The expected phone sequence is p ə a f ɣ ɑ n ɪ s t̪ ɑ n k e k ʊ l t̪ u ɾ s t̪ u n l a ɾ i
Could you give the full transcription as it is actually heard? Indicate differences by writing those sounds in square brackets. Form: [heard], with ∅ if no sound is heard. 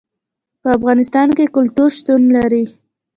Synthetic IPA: p ə a f ɣ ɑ n ɪ s t̪ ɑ n k e k ʊ l t̪ u ɾ [ʃ] t̪ u n l a ɾ i